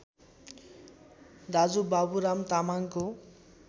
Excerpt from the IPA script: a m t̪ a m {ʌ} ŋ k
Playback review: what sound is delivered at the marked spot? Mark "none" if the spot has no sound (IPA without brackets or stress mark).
a